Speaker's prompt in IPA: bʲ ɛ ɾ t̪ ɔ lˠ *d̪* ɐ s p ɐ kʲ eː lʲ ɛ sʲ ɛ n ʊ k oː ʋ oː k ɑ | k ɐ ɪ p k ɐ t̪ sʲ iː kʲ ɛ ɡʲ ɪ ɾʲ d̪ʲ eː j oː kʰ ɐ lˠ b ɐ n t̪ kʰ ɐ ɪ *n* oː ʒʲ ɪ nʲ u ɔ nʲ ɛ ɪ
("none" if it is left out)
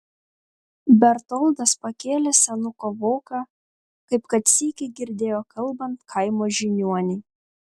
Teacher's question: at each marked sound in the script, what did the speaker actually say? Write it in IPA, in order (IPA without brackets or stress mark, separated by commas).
d̪, m